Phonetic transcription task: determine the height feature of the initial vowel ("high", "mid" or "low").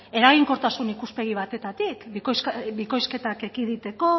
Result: mid